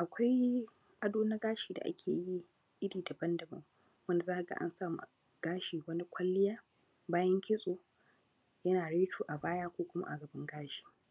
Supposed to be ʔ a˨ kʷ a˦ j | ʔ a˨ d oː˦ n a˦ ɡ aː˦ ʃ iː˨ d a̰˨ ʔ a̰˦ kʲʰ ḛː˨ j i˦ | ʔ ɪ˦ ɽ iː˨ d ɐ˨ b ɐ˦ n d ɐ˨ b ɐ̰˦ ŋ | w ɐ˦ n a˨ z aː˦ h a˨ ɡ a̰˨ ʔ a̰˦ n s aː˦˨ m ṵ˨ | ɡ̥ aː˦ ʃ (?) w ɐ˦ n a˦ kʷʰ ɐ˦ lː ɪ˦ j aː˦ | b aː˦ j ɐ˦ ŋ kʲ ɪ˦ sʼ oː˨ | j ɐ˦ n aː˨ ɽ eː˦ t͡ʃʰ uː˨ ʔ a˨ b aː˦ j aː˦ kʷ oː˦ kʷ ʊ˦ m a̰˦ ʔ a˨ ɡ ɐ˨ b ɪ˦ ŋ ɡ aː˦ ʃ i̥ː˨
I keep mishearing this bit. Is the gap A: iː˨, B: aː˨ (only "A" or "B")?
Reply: A